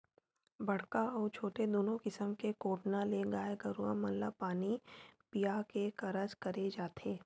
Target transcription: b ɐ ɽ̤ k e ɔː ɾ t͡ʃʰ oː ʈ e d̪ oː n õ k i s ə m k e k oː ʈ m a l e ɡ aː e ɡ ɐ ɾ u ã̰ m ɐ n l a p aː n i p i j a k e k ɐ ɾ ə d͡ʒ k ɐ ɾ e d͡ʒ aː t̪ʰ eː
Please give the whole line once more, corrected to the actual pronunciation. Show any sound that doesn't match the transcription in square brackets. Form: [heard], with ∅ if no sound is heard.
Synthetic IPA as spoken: b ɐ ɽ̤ k [a] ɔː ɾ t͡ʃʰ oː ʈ e d̪ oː n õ k [ɪ] s ə m k e k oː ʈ [n] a l e ɡ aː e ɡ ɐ ɾ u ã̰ m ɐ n l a p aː n i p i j a k e k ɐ ɾ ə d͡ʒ k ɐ ɾ e d͡ʒ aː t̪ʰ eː